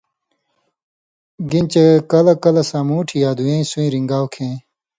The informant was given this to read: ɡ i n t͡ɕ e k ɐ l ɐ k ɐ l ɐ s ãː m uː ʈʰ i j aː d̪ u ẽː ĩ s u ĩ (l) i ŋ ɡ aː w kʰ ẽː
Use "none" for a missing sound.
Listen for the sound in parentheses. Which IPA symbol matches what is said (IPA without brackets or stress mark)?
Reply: ɾ